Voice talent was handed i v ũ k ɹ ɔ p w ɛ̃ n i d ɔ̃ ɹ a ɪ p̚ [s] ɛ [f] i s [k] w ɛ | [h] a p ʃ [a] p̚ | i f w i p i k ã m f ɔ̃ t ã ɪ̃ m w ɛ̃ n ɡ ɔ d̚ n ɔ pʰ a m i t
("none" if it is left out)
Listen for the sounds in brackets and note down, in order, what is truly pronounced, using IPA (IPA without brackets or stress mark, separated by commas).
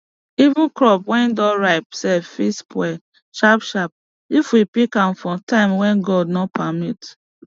s, f, p, ʃ, a